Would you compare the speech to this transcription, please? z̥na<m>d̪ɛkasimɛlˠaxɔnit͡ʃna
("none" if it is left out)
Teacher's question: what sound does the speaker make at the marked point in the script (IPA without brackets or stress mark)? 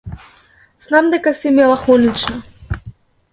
m